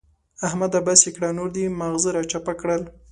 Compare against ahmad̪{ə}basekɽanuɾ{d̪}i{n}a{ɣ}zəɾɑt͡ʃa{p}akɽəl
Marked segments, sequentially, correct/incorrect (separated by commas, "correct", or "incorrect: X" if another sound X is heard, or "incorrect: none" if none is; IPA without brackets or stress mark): incorrect: a, correct, incorrect: m, correct, correct